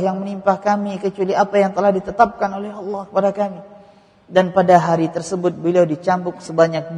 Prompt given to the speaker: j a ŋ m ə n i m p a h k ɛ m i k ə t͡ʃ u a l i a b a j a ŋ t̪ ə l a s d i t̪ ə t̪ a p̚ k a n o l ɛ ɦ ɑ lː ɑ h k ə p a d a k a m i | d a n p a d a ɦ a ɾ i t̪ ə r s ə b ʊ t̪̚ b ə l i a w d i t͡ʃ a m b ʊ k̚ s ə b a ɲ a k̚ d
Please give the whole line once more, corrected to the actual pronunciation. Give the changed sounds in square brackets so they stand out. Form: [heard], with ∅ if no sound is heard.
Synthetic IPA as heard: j a ŋ m ə n i m p a h k [a] m i k ə t͡ʃ u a l i a [p] a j a ŋ t̪ ə l a [h] d i t̪ ə t̪ a p̚ k a n o l ɛ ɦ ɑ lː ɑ h k ə p a d a k a m i | d a n p a d a ɦ a ɾ i t̪ ə r s ə b ʊ t̪̚ b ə l i a w d i t͡ʃ a m b ʊ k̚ s ə b a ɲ a k̚ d